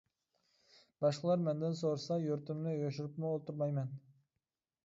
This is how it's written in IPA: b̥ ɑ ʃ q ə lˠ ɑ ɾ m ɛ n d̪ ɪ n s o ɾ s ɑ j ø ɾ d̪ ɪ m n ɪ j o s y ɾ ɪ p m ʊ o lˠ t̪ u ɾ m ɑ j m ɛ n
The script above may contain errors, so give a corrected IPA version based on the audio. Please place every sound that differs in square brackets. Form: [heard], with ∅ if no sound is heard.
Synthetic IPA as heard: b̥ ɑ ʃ q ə lˠ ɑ ɾ m ɛ n d̪ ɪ n s o ɾ s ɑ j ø ɾ [t̪] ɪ m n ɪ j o [ʃ] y ɾ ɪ p m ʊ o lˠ t̪ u ɾ m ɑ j m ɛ n